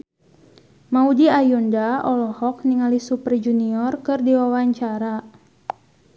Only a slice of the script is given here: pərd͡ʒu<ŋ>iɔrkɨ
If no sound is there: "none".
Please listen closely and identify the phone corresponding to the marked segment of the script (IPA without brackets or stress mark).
n